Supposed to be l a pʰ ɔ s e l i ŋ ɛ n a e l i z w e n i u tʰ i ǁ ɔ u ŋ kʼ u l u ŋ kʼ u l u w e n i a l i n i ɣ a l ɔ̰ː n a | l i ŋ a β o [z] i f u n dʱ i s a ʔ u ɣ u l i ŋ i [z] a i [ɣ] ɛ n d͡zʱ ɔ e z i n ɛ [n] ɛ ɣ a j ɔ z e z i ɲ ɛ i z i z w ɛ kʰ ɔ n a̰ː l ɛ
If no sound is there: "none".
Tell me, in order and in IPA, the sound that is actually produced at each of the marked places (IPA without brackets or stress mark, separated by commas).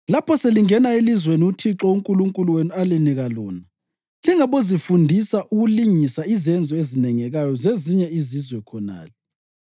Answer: z, s, z, ŋ